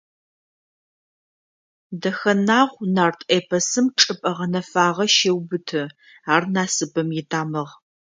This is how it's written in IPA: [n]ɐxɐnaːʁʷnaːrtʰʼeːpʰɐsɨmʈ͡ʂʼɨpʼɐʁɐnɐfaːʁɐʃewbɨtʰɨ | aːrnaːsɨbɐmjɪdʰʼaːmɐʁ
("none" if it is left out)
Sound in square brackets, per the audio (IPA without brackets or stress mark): d